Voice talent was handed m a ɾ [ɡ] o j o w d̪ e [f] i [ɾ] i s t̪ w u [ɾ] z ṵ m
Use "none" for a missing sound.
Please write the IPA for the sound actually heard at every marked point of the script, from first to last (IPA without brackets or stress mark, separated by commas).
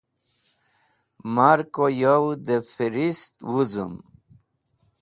k, f, ɾ, none